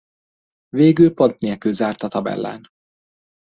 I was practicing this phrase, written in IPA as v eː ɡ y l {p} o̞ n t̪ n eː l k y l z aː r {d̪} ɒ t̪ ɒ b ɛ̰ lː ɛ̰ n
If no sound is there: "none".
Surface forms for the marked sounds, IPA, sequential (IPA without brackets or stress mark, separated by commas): p, t̪